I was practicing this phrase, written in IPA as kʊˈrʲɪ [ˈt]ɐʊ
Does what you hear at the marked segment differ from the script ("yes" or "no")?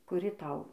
no